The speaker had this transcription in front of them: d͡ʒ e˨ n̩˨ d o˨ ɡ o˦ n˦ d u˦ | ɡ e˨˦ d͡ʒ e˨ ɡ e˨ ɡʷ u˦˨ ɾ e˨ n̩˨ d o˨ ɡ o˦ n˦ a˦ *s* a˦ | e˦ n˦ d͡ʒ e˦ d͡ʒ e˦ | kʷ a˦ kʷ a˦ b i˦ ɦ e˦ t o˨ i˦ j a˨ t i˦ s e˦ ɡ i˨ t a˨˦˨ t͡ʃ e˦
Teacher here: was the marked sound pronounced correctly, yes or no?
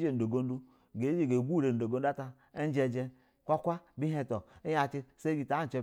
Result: no